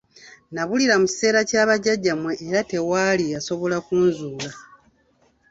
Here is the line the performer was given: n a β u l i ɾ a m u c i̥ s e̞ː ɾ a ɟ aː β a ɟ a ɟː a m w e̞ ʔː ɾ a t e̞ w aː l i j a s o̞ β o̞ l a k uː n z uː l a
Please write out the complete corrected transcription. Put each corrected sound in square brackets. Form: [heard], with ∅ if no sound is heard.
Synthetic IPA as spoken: n a β u l i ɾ a m u c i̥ s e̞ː ɾ a [c] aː β a ɟ a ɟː a m w e̞ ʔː ɾ a t e̞ w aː l i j a s o̞ β o̞ l a k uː n z uː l a

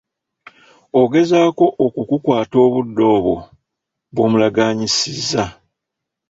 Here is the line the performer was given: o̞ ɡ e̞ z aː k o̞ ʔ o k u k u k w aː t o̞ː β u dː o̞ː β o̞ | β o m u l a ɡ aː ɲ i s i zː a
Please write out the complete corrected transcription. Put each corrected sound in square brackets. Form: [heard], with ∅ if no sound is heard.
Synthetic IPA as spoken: o̞ ɡ e̞ z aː k o̞ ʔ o k u k u k w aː t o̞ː β u dː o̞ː β o̞ | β o m u l a ɡ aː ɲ i s i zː a

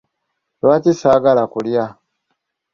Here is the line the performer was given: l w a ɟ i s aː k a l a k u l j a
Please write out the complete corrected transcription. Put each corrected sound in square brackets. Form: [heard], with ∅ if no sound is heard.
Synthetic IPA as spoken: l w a [c] i s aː [ɡ] a l a k u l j a

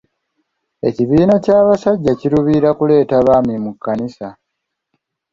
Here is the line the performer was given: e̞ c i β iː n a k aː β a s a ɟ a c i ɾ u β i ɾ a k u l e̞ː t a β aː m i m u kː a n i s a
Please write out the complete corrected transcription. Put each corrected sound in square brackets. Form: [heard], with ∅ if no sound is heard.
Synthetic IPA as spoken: e̞ c i β iː n a [c] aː β a s a [ɟː] a c i ɾ u β i ɾ a k u l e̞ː t a β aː m i m u kː a n i s a

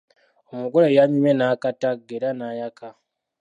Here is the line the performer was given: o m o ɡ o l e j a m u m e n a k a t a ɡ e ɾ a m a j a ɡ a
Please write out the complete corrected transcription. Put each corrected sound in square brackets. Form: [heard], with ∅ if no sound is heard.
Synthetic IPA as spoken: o m [u] ɡ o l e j a [ɲ] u m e n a k a t a ɡ e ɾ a [n] a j a [k] a

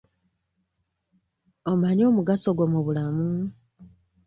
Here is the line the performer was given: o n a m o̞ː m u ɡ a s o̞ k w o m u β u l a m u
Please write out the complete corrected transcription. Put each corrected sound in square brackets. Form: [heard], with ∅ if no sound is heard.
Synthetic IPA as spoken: o [m] a [ɲ] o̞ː m u ɡ a s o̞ [ɡ] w o m u β u l a m u

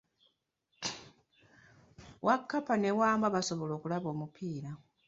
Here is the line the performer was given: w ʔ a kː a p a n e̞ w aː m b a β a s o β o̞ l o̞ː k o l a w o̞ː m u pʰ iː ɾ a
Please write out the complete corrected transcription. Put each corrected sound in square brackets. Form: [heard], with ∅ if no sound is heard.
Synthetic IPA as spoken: w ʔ a kː a p a n e̞ w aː m b a β a s o β o̞ l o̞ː k [u] l a [β] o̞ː m u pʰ iː ɾ a

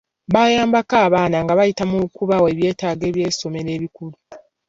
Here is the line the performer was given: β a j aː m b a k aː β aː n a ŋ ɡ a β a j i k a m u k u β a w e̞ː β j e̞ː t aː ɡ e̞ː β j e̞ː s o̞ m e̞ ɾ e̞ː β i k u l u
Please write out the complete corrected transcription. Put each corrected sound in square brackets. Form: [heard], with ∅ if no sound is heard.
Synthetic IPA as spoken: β a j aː m b a k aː β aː n a ŋ ɡ a β a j i [t] a m u k u β a w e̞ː β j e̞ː t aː ɡ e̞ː β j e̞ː s o̞ m e̞ ɾ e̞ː β i k u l u

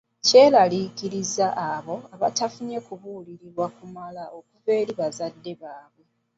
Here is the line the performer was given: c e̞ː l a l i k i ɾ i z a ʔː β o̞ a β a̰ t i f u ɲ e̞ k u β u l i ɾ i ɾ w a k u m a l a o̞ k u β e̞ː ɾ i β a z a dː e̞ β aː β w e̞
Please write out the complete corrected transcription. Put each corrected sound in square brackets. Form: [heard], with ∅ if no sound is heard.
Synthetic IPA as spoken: c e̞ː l a l i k i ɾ i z a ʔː β o̞ a β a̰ t [a] f u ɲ e̞ k u β u l i ɾ i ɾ w a k u m a l a o̞ k u [v] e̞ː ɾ i β a z a dː e̞ β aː β w e̞

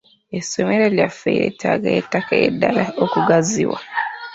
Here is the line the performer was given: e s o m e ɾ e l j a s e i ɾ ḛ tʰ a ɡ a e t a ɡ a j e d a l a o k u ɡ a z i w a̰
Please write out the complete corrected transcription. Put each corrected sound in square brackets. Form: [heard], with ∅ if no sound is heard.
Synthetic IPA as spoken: e s o m e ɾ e l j a [f] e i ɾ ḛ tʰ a ɡ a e t a [k] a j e d a l a o k u ɡ a z i w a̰

